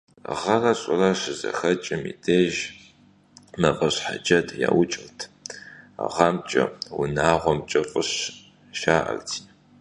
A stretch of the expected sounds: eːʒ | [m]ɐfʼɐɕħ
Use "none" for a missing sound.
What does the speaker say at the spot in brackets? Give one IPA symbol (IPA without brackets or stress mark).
m